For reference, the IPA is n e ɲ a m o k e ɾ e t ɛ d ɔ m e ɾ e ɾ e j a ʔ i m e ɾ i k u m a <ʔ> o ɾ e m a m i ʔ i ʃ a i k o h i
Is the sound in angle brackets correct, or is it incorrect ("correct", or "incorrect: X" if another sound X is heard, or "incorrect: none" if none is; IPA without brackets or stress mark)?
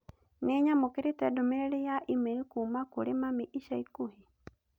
incorrect: k